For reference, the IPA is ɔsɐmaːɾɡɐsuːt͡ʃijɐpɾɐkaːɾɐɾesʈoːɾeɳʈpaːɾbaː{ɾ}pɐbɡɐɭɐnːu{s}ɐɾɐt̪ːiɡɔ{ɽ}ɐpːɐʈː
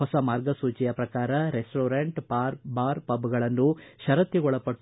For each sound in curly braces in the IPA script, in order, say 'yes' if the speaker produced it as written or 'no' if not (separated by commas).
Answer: yes, no, no